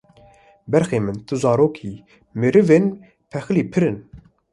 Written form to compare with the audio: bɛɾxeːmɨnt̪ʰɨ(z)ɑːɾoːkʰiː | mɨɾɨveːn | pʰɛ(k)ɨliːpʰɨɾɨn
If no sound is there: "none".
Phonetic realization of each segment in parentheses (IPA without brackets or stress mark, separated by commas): z, x